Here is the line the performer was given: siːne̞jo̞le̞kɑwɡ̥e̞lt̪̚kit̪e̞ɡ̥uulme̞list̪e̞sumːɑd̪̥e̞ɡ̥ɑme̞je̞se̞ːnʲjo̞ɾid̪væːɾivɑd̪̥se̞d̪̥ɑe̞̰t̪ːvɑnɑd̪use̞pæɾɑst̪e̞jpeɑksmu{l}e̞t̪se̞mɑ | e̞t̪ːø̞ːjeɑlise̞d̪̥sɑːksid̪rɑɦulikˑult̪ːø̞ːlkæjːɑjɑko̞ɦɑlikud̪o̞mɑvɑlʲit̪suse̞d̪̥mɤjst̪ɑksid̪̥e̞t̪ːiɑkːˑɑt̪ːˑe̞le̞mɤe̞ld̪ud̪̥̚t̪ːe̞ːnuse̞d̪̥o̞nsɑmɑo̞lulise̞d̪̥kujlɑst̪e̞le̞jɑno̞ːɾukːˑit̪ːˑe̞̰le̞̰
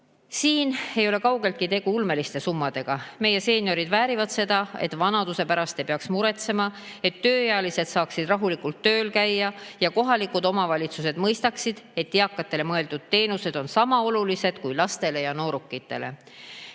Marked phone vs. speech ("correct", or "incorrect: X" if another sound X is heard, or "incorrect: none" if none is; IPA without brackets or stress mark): incorrect: ɾ